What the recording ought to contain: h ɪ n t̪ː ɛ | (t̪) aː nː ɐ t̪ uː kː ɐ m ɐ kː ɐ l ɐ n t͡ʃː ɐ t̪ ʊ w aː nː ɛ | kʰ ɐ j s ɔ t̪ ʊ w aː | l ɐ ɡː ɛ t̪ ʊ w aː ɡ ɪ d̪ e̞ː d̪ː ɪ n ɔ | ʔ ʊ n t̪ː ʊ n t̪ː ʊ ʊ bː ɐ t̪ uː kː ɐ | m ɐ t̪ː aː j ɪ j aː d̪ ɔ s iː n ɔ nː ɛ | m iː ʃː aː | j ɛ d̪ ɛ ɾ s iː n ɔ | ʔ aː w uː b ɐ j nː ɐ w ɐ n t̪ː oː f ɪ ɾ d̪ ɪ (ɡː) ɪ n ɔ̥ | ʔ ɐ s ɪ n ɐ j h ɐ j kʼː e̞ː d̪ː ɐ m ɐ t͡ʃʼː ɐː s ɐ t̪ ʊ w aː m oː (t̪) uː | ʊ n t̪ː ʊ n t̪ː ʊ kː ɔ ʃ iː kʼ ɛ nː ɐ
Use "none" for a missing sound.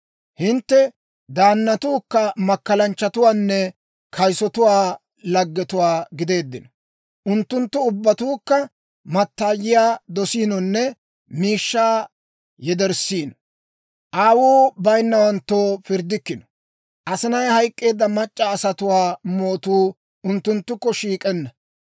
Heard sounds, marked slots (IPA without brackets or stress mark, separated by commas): d̪, kː, t̪